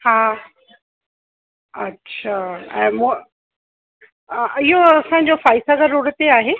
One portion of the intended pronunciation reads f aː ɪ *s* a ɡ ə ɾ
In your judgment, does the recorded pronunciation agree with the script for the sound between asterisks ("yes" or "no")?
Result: yes